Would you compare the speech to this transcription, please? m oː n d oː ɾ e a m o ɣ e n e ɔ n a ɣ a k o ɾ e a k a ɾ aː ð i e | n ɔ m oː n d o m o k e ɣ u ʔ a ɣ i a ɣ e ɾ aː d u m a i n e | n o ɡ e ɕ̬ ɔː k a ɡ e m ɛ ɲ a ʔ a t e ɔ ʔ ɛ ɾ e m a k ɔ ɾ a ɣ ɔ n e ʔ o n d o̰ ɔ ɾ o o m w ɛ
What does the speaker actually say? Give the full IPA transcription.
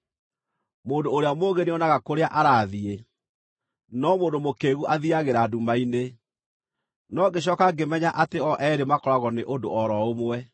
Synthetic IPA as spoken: m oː n d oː ɾ e a m o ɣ e n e ɔ n a ɣ a k o ɾ e a ʔ a ɾ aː ð i e | n ɔ m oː n d o m o k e ɣ u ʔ a ð i a ɣ e ɾ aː d u m a i n e | n ɔ ɡ e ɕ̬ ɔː k a ɡ e m ɛ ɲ a ʔ a t e ɔ ʔ ɛ ɾ e m a k ɔ ɾ a ɣ ɔ n e ʔ o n d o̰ ɔ ɾ ɔ o m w ɛ